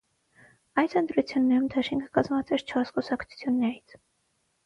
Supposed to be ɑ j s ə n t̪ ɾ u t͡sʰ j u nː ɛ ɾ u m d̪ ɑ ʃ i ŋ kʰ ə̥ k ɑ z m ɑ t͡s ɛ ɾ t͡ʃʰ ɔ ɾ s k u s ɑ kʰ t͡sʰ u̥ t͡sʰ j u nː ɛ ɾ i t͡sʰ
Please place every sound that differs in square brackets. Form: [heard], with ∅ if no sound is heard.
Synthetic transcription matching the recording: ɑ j s ə n t̪ ɾ u t͡sʰ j u nː ɛ ɾ u m d̪ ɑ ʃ i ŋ kʰ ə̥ k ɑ z m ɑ t͡s ɛ ɾ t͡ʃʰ ɔ ɾ s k u s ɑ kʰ t͡sʰ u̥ t͡sʰ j u nː ɛ ɾ i t͡sʰ